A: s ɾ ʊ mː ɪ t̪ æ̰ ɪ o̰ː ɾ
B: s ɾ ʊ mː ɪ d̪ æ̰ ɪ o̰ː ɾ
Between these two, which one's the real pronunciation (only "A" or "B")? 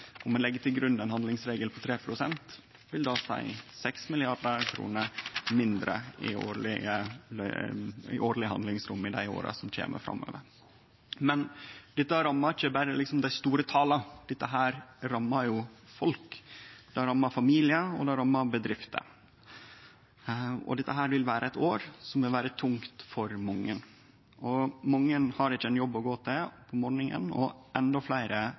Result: B